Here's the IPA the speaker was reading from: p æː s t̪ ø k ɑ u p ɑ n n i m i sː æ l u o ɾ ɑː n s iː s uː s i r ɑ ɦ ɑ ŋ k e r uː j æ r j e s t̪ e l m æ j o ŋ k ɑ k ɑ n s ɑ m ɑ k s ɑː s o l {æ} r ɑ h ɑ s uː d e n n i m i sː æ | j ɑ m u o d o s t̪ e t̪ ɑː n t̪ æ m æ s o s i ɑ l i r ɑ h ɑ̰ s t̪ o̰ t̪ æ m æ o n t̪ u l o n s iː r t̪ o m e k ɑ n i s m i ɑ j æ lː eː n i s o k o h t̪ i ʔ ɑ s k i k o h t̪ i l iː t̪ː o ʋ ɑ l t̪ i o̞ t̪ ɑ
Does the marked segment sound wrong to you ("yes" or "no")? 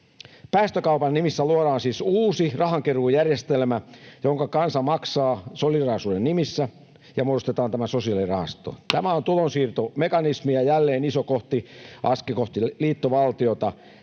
yes